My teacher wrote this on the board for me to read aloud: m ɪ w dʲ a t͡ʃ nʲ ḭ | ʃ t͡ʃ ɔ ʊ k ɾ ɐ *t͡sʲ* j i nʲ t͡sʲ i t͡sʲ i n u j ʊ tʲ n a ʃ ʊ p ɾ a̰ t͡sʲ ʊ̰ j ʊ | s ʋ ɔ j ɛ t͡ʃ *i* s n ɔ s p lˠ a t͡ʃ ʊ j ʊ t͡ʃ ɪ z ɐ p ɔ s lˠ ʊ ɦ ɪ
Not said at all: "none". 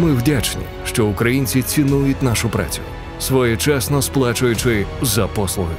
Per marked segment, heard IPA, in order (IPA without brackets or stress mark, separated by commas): none, ɛ